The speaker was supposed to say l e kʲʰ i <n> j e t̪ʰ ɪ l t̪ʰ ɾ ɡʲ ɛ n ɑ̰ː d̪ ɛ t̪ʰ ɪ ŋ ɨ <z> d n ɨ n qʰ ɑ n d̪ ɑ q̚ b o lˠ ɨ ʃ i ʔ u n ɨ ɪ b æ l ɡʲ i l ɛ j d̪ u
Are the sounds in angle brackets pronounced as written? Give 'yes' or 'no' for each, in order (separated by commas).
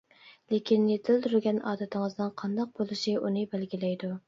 yes, yes